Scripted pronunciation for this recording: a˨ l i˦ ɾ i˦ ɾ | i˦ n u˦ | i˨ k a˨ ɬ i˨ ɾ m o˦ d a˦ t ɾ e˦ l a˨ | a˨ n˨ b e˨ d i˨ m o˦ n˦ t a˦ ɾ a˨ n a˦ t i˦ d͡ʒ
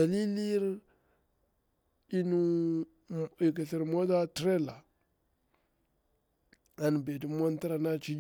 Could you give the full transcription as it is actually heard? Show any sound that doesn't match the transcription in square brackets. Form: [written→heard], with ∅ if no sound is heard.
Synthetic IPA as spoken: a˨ l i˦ [ɾ→l] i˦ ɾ | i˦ n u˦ | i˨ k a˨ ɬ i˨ ɾ m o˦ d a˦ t ɾ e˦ l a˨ | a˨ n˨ b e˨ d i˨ m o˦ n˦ t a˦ ɾ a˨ n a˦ [t→t͡ʃ] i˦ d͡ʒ